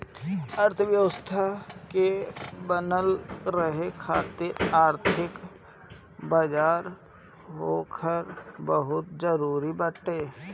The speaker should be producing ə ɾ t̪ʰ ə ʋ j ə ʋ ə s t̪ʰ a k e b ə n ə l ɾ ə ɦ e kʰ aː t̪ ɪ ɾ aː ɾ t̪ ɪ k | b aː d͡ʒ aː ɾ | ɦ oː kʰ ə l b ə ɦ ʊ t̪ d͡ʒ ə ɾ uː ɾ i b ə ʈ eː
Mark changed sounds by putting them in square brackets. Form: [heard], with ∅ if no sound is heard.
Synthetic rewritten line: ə ɾ t̪ʰ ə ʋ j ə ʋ ə s t̪ʰ a k e b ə n ə l ɾ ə ɦ e kʰ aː t̪ ɪ ɾ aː ɾ [t̪ʰ] ɪ k | b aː d͡ʒ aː ɾ | ɦ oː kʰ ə [ɾ] b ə ɦ ʊ t̪ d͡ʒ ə ɾ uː ɾ i b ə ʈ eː